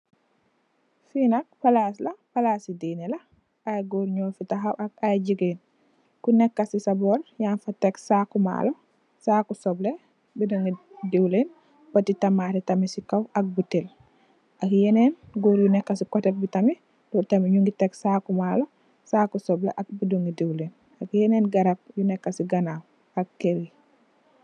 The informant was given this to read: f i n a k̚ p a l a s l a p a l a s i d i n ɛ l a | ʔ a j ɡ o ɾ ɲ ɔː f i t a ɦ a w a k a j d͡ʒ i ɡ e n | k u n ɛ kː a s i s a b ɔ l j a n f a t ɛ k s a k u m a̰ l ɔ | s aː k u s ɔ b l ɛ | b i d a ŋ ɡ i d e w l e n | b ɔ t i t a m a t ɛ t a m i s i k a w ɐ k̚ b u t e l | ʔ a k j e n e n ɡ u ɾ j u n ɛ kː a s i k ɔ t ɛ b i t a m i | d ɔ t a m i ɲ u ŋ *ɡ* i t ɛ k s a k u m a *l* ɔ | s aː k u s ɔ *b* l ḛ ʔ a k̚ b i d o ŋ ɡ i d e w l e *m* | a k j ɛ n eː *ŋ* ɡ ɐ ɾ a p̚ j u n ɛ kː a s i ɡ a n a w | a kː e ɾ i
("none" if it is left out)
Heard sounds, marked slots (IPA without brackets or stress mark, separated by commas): ɡ, l, b, n, n